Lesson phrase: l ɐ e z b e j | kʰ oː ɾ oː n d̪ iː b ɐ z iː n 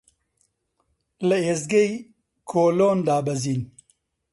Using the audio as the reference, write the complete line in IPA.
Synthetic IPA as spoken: l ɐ e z ɡ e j | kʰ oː l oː n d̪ aː b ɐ z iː n